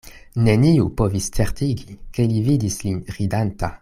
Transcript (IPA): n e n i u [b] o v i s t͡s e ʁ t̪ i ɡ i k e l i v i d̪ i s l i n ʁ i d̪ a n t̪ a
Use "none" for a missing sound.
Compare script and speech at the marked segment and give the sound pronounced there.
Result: p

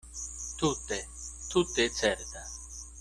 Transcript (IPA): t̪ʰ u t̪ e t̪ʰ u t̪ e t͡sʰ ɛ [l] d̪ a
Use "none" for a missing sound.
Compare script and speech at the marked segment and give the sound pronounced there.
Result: ɾ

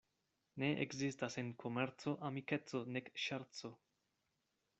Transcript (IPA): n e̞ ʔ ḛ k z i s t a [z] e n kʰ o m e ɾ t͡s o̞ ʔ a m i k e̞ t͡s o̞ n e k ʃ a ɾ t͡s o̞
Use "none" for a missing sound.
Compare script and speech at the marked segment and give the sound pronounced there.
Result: s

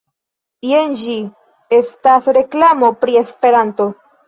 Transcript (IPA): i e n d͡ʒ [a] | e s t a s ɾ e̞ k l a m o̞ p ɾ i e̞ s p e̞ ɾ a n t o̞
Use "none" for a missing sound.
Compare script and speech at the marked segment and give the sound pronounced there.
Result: i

